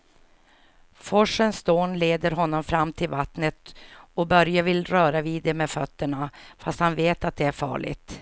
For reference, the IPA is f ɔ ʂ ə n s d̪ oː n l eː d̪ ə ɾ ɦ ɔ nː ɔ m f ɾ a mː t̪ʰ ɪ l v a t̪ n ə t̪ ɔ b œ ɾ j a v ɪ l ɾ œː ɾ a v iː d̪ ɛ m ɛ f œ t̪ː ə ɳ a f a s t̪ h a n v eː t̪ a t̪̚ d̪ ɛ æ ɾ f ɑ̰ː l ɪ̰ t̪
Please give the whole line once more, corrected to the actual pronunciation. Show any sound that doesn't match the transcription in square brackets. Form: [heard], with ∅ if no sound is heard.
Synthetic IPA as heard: f ɔ ʂ ə n s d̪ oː n l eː d̪ ə ɾ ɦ ɔ nː ɔ m f ɾ a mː t̪ʰ ɪ l v a t̪ n ə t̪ ɔ b œ ɾ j a v ɪ l ɾ œː ɾ a v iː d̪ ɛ m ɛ f œ t̪ː ə ɳ a f a s t̪ h a n v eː t̪ a t̪̚ d̪ ɛ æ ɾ f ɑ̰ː [ɭ] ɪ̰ t̪